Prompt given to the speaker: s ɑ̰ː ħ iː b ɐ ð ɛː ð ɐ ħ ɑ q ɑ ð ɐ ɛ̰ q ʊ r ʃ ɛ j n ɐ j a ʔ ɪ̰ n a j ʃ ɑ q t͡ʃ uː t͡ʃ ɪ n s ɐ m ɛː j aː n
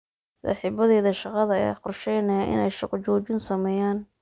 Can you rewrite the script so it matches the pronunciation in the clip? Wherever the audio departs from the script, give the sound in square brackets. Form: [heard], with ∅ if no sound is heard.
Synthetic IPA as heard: s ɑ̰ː ħ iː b ɐ ð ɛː ð ɐ [ʃ] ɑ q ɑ ð ɐ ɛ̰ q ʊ r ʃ ɛ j n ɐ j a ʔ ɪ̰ n [ɛ] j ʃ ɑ q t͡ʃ [ɔː] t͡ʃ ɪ n s ɐ m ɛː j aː n

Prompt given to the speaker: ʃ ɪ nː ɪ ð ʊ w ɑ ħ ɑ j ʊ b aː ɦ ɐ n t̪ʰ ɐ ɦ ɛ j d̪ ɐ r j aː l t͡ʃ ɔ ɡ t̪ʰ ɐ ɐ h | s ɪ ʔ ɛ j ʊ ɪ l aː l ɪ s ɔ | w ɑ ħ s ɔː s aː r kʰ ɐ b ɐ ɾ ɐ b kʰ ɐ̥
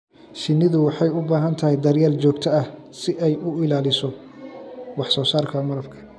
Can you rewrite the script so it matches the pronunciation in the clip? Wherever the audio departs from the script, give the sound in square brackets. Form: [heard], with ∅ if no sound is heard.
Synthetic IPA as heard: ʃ ɪ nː ɪ ð ʊ w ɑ ħ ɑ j ʊ b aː ɦ ɐ n t̪ʰ ɐ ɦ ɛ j d̪ ɐ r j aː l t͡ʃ [ɔː] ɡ t̪ʰ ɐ ɐ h | s ɪ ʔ ɛ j ʊ ɪ l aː l ɪ s ɔ | w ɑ ħ s ɔː s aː r kʰ ɐ [m] ɐ ɾ ɐ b kʰ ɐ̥

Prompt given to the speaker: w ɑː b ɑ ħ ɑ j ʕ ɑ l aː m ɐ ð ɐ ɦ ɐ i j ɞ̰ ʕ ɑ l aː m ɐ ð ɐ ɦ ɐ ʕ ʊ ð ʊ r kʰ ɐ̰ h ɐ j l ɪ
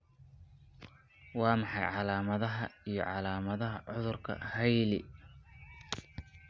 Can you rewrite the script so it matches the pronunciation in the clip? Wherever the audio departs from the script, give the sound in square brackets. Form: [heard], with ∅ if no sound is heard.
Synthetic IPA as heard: w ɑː [m] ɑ ħ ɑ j ʕ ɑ l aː m ɐ ð ɐ ɦ ɐ i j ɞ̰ ʕ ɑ l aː m ɐ ð ɐ ɦ ɐ ʕ ʊ ð ʊ r kʰ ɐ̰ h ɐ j l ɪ

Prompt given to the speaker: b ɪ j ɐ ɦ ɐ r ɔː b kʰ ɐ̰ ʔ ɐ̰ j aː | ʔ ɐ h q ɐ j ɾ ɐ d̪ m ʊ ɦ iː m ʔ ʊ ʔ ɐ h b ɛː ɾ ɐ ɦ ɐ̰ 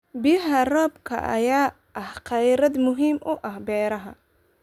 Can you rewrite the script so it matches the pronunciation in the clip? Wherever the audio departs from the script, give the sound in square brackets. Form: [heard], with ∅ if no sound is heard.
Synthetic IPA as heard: b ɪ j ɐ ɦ ɐ r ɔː b kʰ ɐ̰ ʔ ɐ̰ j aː | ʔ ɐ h q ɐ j ɾ ɐ d̪ m ʊ ɦ iː m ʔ ʊ ʔ ɐ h b ɛː ɾ ɐ ɦ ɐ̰

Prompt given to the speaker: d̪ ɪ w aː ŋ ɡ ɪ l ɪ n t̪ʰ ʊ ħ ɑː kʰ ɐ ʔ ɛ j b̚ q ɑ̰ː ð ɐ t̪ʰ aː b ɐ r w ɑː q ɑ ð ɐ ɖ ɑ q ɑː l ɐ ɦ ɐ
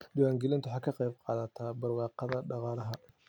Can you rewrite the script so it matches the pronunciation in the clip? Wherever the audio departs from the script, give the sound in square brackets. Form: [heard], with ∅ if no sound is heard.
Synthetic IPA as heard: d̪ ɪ w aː ŋ ɡ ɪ l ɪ n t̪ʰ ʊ ħ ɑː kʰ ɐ [q] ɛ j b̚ q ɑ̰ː ð ɐ t̪ʰ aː b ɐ r w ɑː q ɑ ð ɐ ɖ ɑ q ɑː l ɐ ɦ ɐ

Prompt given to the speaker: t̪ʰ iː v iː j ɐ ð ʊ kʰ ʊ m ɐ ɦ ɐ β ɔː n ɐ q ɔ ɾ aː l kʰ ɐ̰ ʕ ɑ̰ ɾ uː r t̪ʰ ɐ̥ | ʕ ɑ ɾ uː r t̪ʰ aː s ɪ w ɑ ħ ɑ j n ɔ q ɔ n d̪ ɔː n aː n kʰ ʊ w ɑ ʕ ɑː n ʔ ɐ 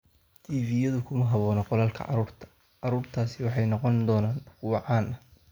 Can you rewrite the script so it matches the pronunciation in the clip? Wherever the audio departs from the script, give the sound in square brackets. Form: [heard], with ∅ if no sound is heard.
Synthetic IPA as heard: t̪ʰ iː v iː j ɐ ð ʊ kʰ ʊ m ɐ ɦ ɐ β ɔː n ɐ q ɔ [l] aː l kʰ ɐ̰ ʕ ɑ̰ ɾ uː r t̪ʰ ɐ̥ | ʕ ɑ ɾ uː r t̪ʰ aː s ɪ w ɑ ħ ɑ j n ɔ q ɔ n d̪ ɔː n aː n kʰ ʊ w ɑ ʕ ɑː n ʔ ɐ

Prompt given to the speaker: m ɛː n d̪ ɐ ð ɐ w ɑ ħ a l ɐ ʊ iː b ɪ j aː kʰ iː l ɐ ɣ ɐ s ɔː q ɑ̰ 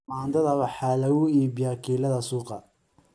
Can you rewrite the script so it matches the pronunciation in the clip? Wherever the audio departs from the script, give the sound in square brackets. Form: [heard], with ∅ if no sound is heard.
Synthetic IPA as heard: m [aː] n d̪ ɐ ð ɐ w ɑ ħ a l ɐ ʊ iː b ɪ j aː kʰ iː l ɐ [ð] ɐ s [uː] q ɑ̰

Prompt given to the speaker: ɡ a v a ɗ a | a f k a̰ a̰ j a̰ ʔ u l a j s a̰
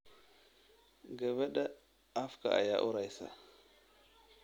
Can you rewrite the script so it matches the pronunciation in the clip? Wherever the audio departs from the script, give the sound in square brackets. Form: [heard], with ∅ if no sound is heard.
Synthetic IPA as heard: ɡ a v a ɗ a | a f k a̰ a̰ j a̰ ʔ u [ɾ] a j s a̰

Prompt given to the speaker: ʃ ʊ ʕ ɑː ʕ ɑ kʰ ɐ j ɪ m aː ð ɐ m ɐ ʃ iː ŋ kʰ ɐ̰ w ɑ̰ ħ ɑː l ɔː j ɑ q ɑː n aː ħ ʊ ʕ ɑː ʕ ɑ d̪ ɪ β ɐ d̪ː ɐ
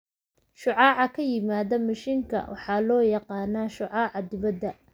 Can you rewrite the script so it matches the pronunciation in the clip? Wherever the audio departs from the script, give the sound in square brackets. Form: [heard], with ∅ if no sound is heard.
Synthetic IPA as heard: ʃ ʊ ʕ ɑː ʕ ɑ kʰ ɐ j ɪ m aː ð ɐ m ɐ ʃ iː ŋ kʰ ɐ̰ w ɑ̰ ħ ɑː l ɔː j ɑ q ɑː n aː [ʃ] ʊ ʕ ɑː ʕ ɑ d̪ ɪ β ɐ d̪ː ɐ

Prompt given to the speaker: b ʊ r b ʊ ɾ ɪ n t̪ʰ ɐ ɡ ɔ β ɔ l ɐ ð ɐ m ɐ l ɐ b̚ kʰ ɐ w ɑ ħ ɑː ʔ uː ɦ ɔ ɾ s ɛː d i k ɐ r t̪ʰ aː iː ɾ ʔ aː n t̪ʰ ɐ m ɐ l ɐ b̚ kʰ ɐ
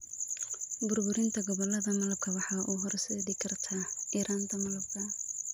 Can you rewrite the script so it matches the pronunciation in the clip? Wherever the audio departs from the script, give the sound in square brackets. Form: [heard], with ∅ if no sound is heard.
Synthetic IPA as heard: b ʊ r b ʊ ɾ ɪ n t̪ʰ ɐ ɡ ɔ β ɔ l ɐ ð ɐ m ɐ l ɐ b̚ kʰ ɐ w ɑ ħ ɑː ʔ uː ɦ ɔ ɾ s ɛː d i [kʰ] ɐ r t̪ʰ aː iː ɾ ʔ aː n t̪ʰ ɐ m ɐ l ɐ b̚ kʰ ɐ

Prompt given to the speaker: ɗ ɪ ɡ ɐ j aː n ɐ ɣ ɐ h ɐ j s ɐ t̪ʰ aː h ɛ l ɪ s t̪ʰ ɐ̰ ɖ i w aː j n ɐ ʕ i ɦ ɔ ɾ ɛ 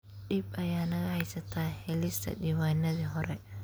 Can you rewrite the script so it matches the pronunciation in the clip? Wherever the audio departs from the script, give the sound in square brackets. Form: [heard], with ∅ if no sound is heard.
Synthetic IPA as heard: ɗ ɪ [b] ɐ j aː n ɐ ɣ ɐ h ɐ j s ɐ t̪ʰ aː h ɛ l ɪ s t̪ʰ ɐ̰ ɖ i w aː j n ɐ [ð] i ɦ ɔ ɾ ɛ

